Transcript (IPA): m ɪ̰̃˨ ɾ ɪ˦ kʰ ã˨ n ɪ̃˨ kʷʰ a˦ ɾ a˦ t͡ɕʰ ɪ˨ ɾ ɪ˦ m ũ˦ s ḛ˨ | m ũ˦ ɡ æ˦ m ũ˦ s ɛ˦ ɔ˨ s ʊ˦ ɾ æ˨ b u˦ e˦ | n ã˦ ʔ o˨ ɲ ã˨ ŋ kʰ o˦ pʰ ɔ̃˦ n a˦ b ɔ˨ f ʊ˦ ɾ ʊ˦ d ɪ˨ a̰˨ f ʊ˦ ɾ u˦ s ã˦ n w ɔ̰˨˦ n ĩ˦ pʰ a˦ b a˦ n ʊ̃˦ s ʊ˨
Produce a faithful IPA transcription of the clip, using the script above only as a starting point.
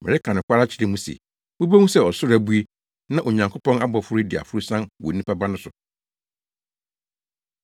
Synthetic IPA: m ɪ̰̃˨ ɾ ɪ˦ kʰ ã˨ n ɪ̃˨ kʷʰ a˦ ɾ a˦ t͡ɕʰ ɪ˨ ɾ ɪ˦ m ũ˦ s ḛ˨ | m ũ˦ b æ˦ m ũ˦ s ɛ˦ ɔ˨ s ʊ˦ ɾ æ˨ b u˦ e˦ | n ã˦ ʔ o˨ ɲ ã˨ ŋ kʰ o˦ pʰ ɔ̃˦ n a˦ b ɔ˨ f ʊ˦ ɾ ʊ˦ d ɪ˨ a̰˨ f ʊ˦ ɾ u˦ s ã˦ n w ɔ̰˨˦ n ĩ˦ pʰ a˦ b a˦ n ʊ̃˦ s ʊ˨